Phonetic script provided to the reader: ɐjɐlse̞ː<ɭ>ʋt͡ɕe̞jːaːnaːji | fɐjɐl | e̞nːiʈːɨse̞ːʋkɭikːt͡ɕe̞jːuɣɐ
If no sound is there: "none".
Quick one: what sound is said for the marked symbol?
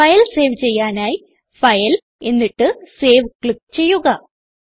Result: none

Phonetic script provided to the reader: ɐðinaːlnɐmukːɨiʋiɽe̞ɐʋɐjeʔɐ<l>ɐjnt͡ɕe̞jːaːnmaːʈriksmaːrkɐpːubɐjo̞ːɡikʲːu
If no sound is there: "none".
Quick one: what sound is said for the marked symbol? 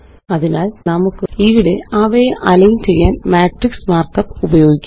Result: l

